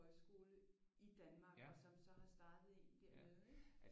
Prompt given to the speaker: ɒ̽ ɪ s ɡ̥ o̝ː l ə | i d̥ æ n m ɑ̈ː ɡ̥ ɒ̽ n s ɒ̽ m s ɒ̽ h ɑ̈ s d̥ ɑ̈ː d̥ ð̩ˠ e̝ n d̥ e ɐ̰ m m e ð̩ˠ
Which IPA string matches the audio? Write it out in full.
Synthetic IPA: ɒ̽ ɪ s ɡ̥ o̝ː l ə | i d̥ æ n m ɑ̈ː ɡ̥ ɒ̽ s ɒ̽ m s ɒ̽ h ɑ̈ s d̥ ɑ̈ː d̥ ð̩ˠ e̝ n d̥ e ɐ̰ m m e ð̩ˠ

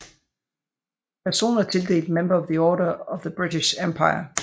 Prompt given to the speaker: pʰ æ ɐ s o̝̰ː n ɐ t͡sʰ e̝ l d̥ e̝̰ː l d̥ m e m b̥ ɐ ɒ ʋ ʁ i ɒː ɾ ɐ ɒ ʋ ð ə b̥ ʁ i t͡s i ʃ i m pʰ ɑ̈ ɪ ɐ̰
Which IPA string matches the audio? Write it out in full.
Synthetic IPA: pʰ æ ɐ s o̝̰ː n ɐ t͡sʰ e̝ l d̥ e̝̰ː l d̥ m e m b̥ ɐ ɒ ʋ ð i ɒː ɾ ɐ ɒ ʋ ð ə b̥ ʁ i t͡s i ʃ e m pʰ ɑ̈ ɪ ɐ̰

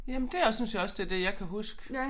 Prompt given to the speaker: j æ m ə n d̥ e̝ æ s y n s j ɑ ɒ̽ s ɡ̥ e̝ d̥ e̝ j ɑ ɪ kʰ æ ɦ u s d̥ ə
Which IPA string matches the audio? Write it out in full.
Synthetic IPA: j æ m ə n d̥ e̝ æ s y n s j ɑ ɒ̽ s d̥ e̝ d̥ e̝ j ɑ ɪ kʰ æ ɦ u s ɡ̥ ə

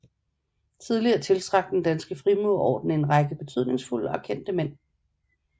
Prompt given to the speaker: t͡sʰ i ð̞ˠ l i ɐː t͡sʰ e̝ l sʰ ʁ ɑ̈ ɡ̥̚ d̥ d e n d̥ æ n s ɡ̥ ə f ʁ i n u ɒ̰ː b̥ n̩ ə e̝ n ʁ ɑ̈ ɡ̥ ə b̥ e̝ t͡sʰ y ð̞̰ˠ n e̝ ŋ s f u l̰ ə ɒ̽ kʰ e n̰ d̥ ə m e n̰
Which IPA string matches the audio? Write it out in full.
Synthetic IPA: t͡sʰ i ð̞ˠ l i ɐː t͡sʰ e̝ l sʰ ʁ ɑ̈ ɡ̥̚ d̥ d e n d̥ æ n s ɡ̥ ə f ʁ i m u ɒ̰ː d̥ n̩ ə e̝ n ʁ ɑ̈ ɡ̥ ə b̥ e̝ t͡sʰ y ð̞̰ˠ n e̝ ŋ s f u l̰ ə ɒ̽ kʰ e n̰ d̥ ə m e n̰

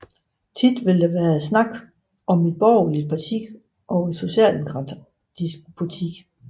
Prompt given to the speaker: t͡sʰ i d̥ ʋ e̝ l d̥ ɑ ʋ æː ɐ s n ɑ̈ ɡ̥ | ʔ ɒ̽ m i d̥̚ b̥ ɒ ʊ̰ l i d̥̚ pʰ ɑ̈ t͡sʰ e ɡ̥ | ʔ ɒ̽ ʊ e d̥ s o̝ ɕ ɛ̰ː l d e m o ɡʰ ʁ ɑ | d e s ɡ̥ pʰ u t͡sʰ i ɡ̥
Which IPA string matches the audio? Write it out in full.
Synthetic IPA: t͡sʰ i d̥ ʋ e̝ l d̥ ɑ ʋ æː ɐ s n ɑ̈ ɡ̥ | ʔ ɒ̽ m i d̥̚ b̥ ɒ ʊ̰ l i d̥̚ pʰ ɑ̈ t͡sʰ i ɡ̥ | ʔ ɒ̽ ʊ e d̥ s o̝ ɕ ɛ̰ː l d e m o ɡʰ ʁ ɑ | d i s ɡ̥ pʰ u t͡sʰ i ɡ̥

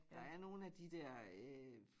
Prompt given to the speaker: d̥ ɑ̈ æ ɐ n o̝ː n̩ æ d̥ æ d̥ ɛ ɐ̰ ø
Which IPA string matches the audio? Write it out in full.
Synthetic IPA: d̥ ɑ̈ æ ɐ n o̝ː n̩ æ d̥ i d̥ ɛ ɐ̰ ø

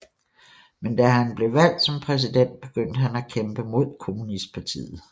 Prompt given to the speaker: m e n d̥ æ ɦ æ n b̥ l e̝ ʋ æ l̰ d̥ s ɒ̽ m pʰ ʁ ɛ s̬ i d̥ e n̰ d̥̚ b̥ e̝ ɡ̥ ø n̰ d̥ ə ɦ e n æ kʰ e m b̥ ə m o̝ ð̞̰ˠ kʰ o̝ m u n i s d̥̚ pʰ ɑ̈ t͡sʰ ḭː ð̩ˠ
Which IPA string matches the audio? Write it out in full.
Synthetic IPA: m e n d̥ æ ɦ æ n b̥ l e̝ ʋ æ l̰ d̥ s ɒ̽ m pʰ ʁ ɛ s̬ i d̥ e n̰ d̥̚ b̥ e̝ ɡ̥ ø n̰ d̥ ə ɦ æ n æ kʰ e m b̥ ə m o̝ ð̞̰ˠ kʰ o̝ m u n i s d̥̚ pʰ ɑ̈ t͡sʰ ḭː ð̩ˠ

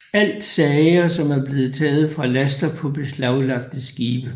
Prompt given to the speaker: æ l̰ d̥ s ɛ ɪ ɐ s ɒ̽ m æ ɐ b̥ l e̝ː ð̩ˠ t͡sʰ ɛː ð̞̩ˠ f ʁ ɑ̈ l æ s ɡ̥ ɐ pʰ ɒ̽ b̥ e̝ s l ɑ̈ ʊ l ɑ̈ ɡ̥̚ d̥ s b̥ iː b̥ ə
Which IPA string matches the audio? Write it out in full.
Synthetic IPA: æ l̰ d̥ s ɛ ɪ ɐ s ɒ̽ m æ ɐ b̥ l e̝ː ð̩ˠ t͡sʰ ɛː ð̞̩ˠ f ʁ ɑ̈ l æ s d̥ ɐ pʰ ɒ̽ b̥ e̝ s l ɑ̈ ʊ l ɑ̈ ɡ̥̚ d̥ s ɡ̥ iː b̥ ə

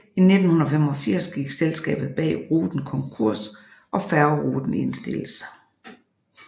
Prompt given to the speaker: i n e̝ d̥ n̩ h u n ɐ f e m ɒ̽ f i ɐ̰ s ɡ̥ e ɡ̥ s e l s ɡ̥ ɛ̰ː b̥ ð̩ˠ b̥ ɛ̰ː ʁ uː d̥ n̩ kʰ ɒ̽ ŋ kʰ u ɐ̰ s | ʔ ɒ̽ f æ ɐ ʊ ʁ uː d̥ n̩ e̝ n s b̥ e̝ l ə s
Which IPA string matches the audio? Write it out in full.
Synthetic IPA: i n e̝ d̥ n̩ h u n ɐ f e m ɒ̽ f i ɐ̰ s ɡ̥ i ɡ̥ s e l s ɡ̥ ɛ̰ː b̥ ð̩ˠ b̥ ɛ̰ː ʁ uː d̥ n̩ kʰ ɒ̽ ŋ kʰ u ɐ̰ s | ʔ ɒ̽ f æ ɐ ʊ ʁ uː d̥ n̩ e̝ n s d̥ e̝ l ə s

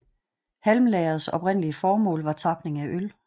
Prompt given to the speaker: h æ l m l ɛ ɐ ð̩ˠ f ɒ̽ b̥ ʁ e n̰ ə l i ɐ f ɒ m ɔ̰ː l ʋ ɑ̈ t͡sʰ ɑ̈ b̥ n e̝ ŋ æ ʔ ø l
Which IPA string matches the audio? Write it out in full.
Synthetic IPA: h æ l m l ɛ ɐ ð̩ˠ s ɒ̽ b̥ ʁ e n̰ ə l i ə f ɒː m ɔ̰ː l ʋ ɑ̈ t͡sʰ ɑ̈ b̥ n e̝ ŋ æ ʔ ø l

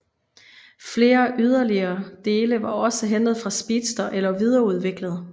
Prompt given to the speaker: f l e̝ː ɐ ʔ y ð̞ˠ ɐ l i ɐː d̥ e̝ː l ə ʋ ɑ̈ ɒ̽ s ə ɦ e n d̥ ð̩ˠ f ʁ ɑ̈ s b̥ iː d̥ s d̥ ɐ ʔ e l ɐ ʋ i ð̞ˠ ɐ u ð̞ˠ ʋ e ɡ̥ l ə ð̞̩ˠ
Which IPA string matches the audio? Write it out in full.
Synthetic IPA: f l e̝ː ɐ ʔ y ð̞ˠ ɐ l i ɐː d̥ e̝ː l ə ʋ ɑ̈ ɒ̽ s ə ɦ e n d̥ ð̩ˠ f ʁ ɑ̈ s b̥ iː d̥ s d̥ ɐ ʔ e l ɐ ʋ i ð̞ˠ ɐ u ð̞ˠ ʋ e ɡ̥ l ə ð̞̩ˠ

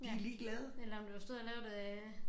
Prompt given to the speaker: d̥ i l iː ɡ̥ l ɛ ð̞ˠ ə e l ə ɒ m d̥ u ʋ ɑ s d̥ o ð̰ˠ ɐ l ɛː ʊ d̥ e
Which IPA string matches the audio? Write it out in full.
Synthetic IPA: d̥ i l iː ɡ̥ l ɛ ð̞ˠ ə e l ɐ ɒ m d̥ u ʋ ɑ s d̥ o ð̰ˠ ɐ l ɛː ʊ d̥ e

